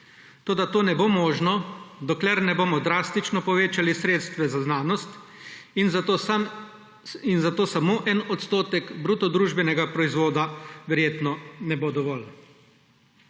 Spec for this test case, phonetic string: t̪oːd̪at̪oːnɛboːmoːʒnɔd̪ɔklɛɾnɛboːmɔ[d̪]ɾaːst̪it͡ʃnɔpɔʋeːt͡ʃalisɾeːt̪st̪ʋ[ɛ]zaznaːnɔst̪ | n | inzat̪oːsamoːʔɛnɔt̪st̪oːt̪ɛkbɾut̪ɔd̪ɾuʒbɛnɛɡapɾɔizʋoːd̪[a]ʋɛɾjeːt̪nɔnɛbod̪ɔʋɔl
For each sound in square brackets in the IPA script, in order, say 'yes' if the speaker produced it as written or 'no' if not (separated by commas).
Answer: yes, yes, yes